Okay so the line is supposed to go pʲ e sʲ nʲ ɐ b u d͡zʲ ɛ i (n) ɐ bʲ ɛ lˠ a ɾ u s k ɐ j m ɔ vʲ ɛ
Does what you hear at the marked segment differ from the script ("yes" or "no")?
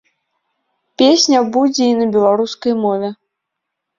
no